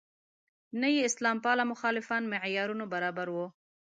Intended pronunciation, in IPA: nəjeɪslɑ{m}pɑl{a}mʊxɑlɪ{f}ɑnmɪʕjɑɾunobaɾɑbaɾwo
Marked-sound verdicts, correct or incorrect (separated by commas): correct, correct, correct